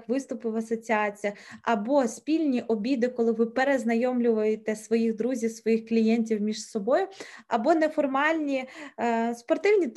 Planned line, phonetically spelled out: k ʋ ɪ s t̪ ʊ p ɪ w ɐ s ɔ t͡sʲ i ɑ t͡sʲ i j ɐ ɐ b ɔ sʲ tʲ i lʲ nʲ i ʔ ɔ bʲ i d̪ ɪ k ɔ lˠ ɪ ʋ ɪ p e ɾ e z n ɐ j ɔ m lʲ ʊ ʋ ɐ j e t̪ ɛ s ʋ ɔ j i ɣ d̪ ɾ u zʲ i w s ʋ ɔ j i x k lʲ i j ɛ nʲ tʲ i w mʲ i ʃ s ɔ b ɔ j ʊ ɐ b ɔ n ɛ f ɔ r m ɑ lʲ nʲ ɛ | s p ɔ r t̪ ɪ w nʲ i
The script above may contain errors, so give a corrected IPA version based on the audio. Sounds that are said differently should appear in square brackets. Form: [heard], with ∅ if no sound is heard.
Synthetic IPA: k ʋ ɪ s t̪ ʊ p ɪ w ɐ s ɔ t͡sʲ i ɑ t͡sʲ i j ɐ ɐ b ɔ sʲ [pʲ] i lʲ nʲ i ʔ ɔ bʲ i d̪ ɪ k ɔ lˠ ɪ ʋ ɪ p e ɾ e z n ɐ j ɔ m lʲ ʊ ʋ ɐ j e t̪ ɛ s ʋ ɔ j i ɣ d̪ ɾ u zʲ i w s ʋ ɔ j i x k lʲ i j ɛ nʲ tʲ i w mʲ i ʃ s ɔ b ɔ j ʊ ɐ b ɔ n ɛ f ɔ r m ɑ lʲ nʲ [i] | s p ɔ r t̪ ɪ w nʲ i